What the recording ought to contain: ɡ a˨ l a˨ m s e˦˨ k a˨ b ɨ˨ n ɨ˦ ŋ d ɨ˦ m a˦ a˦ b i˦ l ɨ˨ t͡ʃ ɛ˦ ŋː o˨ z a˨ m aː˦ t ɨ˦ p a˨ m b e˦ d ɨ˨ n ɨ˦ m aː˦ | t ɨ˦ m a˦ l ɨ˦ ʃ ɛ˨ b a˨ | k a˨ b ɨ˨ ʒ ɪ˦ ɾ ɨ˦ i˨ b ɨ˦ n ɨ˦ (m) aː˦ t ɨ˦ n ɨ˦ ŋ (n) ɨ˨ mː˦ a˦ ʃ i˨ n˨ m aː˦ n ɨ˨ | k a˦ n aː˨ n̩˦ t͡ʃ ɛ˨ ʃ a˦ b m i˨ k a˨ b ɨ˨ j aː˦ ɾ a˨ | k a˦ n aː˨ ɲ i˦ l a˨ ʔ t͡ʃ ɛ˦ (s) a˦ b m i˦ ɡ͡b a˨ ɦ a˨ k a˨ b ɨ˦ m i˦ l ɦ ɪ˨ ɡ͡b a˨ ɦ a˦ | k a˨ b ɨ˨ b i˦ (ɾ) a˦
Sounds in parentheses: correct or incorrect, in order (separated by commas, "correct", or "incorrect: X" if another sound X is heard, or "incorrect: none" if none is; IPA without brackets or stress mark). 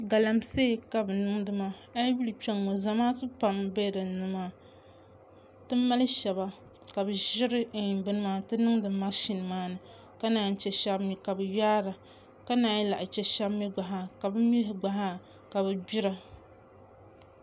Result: correct, incorrect: d, incorrect: ʃ, correct